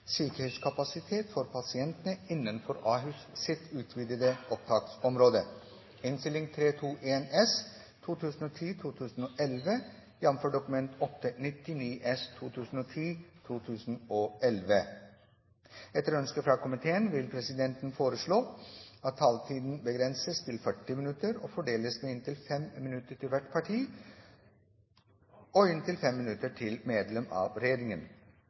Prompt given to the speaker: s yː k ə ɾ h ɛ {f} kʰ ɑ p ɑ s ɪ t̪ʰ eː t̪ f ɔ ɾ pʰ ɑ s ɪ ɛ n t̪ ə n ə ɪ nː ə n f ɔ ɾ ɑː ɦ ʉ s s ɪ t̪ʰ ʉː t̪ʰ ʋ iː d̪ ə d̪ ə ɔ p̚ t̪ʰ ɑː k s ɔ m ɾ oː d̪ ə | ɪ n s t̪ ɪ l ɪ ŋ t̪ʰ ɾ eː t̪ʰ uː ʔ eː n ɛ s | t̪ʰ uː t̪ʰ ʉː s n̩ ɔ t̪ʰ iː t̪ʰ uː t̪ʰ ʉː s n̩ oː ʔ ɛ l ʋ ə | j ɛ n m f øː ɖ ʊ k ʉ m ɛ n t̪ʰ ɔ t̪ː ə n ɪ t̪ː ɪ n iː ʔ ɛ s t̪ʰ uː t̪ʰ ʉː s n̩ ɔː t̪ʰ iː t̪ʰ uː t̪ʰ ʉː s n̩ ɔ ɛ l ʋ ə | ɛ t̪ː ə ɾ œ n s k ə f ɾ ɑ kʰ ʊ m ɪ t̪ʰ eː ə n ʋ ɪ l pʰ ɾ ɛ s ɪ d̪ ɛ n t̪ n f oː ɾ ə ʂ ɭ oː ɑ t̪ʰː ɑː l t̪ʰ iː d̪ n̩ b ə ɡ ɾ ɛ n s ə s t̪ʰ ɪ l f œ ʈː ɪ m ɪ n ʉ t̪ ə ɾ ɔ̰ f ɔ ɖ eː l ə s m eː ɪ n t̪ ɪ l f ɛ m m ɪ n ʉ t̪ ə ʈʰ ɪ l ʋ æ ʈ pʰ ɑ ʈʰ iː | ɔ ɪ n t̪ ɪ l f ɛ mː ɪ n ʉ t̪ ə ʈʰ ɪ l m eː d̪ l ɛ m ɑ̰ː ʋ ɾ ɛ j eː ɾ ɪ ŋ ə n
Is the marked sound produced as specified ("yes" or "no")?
no